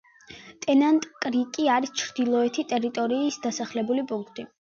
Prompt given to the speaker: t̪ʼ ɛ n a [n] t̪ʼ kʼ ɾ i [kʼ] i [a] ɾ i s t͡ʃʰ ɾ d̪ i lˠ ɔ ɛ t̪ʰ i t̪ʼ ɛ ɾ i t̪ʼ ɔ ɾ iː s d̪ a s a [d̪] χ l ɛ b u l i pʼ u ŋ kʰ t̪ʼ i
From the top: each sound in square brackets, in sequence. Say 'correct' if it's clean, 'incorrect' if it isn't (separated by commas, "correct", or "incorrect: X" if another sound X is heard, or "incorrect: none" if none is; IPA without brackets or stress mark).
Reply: correct, correct, correct, incorrect: none